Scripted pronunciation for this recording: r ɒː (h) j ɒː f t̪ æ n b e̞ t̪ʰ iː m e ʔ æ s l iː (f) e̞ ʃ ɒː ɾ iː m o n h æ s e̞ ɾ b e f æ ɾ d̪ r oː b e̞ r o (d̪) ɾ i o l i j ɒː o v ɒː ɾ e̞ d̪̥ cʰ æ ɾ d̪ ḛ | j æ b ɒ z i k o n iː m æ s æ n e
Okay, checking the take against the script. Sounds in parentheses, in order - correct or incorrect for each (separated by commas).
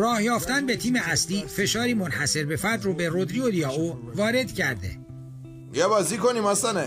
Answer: correct, correct, correct